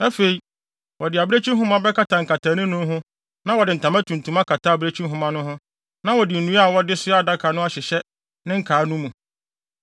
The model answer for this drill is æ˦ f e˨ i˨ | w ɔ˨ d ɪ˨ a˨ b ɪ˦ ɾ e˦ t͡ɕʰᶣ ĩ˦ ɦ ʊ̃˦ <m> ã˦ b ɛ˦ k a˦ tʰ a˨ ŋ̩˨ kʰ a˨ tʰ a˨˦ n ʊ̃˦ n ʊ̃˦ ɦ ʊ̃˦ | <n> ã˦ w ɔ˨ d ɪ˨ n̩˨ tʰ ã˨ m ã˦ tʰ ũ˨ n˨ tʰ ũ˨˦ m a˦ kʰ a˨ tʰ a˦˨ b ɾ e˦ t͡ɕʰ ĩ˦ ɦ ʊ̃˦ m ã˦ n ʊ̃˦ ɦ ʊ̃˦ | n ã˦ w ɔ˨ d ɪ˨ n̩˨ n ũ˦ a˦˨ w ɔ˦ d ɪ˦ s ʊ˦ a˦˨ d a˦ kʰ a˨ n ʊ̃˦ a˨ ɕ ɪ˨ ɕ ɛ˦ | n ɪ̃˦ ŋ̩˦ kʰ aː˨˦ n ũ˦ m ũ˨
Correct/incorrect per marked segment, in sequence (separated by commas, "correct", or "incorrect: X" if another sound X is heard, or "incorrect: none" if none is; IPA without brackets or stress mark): correct, correct